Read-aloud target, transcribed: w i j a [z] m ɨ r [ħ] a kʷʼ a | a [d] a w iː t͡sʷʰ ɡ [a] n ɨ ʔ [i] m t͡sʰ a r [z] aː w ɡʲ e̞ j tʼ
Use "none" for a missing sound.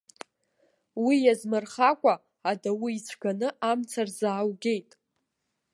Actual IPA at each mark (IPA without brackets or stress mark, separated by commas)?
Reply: z, χ, d, a, a, z